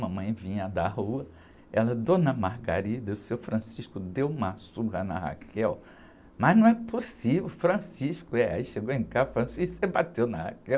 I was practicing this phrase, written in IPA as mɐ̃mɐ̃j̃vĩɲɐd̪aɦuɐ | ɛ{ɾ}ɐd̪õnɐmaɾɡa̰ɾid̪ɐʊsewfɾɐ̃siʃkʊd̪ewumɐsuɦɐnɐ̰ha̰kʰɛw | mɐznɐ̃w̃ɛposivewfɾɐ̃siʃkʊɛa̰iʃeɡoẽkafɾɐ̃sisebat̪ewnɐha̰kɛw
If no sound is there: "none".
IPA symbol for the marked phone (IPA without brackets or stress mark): l